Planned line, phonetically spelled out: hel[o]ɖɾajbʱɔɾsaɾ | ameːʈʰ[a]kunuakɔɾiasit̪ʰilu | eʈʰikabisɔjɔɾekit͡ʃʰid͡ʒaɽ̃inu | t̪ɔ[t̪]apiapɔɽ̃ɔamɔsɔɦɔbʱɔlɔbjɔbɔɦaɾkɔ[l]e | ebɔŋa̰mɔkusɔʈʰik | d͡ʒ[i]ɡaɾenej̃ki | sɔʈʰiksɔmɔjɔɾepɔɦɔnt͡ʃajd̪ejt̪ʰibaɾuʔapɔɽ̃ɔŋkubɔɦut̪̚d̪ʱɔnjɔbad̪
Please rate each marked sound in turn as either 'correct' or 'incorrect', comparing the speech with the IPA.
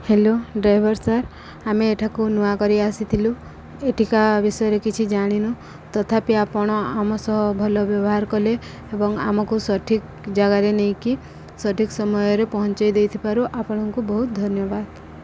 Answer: correct, correct, incorrect, correct, incorrect

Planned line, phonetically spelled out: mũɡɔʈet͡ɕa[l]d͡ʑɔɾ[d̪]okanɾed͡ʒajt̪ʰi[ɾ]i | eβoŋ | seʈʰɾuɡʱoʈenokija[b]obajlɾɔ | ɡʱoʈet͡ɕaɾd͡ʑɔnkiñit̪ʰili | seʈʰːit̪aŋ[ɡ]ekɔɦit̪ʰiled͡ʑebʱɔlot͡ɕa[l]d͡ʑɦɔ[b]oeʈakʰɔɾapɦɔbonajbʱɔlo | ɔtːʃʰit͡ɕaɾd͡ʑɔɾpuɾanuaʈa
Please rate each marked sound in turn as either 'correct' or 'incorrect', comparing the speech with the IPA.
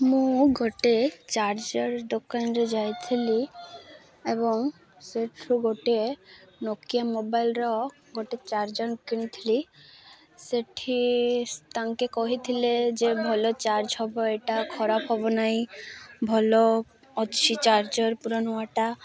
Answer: incorrect, correct, incorrect, incorrect, incorrect, incorrect, correct

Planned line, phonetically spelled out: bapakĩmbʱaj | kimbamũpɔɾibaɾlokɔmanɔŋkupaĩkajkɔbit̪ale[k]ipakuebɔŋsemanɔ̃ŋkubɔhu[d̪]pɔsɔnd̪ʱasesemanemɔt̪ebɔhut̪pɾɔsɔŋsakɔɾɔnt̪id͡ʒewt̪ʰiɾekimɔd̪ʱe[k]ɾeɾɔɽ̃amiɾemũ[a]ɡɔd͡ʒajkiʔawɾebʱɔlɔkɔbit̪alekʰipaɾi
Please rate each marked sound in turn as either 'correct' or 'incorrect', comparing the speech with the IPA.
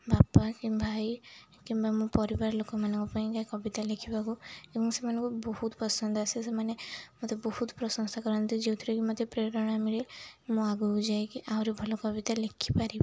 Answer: incorrect, incorrect, incorrect, correct

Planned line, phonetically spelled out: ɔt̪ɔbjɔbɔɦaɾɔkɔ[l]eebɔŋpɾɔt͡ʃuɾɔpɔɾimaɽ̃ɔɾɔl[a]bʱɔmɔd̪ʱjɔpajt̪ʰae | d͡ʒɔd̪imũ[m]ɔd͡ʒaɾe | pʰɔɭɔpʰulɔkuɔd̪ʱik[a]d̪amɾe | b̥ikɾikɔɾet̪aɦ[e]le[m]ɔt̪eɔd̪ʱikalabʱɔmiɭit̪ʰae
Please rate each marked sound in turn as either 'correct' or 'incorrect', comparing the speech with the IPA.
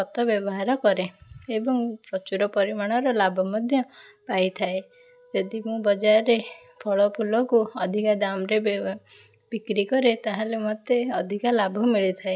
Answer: incorrect, correct, incorrect, correct, incorrect, correct

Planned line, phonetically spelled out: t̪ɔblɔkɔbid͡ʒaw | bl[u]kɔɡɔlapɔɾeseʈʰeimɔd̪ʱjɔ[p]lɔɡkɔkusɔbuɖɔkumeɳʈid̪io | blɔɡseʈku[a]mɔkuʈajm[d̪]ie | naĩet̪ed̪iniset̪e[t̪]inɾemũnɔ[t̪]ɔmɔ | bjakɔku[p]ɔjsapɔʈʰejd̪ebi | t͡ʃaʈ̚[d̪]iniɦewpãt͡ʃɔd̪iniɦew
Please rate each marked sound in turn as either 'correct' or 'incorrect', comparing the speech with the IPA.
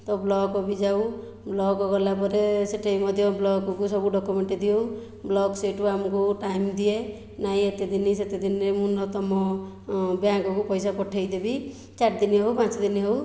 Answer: incorrect, incorrect, correct, correct, incorrect, correct, correct, correct

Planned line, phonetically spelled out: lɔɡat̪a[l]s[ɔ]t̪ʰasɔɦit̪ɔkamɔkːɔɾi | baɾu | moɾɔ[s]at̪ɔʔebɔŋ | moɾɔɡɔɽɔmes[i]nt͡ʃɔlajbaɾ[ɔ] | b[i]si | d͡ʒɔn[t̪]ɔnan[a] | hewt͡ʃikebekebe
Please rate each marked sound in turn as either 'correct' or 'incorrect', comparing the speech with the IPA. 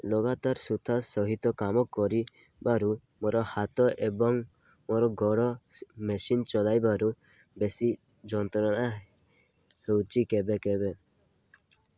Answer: incorrect, incorrect, incorrect, correct, incorrect, incorrect, correct, correct

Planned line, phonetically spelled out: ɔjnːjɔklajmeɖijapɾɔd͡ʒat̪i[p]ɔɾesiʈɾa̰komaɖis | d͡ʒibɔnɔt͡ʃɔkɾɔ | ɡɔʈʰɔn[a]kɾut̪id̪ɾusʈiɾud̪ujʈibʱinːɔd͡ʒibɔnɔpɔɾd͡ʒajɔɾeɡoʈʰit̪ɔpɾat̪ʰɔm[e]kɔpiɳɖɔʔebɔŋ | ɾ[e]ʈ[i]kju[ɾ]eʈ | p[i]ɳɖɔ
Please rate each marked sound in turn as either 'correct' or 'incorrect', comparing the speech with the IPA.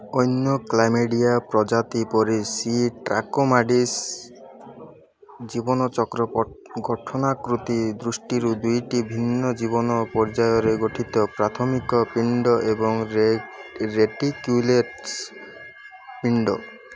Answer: correct, correct, incorrect, correct, correct, incorrect, correct

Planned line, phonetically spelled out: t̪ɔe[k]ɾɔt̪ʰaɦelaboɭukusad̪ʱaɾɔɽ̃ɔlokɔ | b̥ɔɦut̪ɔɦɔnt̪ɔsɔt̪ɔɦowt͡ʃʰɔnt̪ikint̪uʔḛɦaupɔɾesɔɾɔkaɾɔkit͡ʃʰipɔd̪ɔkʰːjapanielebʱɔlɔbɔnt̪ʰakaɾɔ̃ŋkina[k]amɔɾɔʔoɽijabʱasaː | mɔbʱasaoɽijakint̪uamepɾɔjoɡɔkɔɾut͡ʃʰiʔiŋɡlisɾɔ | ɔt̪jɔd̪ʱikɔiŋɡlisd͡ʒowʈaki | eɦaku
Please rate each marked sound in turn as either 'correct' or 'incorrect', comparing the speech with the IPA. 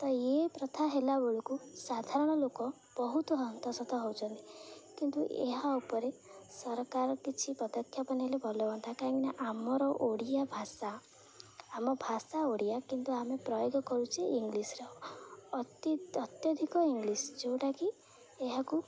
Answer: incorrect, incorrect

